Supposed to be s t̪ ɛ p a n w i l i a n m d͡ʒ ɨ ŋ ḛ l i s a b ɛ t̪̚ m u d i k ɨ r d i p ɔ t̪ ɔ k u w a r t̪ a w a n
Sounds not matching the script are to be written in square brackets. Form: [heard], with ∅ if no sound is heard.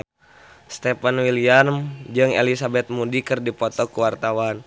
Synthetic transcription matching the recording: s t̪ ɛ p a n w i l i a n m d͡ʒ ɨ ŋ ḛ l i s a b ɛ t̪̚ m u d i k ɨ r d i p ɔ t̪ ɔ k u w a r t̪ a w a n